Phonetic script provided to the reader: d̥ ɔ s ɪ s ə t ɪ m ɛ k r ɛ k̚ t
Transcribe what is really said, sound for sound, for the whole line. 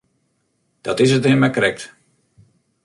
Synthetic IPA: d̥ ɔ t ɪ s ə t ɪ m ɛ k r ɛ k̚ t